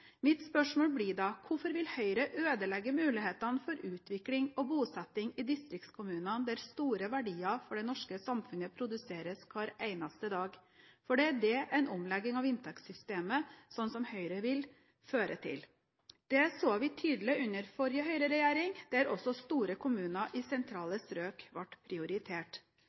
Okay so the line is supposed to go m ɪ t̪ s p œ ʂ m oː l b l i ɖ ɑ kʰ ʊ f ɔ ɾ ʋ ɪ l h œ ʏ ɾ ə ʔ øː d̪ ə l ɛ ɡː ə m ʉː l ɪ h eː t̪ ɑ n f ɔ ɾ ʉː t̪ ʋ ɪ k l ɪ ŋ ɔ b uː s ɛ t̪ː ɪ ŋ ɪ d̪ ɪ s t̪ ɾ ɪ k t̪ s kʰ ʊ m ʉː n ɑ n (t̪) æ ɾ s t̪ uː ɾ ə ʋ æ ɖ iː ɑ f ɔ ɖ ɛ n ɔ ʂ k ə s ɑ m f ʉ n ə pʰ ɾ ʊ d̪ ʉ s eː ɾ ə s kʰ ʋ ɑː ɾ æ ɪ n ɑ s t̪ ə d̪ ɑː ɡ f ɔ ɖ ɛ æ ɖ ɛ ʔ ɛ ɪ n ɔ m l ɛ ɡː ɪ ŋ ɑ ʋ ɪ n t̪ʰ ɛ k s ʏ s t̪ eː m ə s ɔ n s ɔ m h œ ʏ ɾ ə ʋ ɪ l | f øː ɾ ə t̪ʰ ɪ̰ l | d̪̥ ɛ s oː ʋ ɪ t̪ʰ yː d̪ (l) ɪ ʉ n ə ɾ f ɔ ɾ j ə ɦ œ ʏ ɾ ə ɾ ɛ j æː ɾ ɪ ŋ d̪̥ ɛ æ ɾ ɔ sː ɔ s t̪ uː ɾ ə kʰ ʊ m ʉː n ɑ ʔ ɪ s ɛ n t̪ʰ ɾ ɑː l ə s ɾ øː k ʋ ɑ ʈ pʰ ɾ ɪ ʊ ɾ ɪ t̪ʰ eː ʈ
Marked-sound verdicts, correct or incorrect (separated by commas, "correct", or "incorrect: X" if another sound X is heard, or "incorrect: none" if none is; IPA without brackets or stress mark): incorrect: d̪, correct